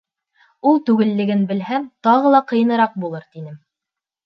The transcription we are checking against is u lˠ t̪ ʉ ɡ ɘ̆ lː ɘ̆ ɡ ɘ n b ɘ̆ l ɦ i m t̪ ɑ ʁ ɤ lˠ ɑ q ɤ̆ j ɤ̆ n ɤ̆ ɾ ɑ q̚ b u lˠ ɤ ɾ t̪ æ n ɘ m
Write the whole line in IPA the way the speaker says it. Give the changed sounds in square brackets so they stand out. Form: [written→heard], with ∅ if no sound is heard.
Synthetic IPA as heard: u lˠ t̪ ʉ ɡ ɘ̆ lː ɘ̆ ɡ ɘ n b ɘ̆ l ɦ [i→æ] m t̪ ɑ ʁ ɤ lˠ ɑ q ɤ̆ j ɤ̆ n ɤ̆ ɾ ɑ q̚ b u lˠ ɤ ɾ t̪ [æ→i] n ɘ m